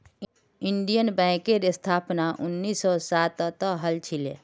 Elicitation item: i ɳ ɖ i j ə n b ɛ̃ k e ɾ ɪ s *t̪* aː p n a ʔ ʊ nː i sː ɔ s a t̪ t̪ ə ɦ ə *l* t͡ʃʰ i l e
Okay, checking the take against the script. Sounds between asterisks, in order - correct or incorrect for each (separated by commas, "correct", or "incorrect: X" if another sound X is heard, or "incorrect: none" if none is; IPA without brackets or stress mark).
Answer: incorrect: t̪ʰ, correct